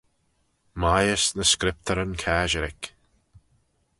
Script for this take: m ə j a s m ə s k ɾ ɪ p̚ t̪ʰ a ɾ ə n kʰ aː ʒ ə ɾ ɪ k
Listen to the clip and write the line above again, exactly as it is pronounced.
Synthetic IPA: m a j ə s n ə s k ɾ ɪ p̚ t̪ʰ ə ɾ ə n kʰ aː ʒ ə ɾ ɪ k

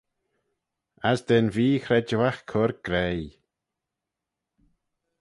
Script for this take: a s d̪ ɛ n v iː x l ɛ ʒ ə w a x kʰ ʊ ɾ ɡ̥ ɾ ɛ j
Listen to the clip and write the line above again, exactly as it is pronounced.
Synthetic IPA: a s d̪ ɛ n v iː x ɾ ɛ d͡ʒ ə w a x kʰ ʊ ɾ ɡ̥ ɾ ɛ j

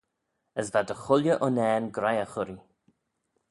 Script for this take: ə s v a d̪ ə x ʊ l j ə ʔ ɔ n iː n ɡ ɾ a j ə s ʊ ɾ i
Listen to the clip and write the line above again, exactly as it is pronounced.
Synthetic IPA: ə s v a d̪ ə x ʊ l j ə ʔ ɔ n ɛː n ɡ ɾ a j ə x ʊ ɾ i

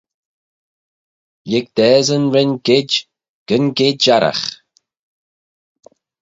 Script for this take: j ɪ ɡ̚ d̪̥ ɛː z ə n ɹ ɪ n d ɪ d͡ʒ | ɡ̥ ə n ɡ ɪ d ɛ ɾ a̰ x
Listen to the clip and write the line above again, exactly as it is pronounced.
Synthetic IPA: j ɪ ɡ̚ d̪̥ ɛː z ə n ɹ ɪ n ɡ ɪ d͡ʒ | ɡ̥ ə n ɡ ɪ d a ɾ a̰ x

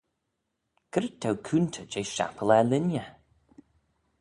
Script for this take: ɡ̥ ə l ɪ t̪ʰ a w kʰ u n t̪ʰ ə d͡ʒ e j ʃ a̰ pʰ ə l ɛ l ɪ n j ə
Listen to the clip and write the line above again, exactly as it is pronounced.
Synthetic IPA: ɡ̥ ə ɾ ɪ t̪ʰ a w kʰ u n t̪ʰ ə d͡ʒ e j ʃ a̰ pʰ ə l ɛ l ɪ n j ə

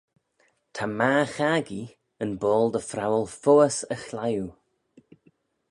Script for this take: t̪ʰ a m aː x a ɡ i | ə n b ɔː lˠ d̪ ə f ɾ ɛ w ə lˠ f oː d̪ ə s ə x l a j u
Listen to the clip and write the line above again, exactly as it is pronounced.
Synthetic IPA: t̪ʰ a m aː x a ɡ i | ə n b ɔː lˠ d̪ ə f ɾ a w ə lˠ f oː ə s ə x l a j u

